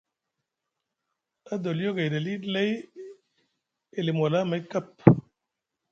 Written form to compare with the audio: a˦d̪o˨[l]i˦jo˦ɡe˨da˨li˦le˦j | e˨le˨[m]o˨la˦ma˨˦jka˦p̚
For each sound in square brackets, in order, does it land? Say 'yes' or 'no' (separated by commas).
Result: yes, yes